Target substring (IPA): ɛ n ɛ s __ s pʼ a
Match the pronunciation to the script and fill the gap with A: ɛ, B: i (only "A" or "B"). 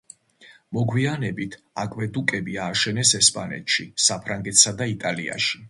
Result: A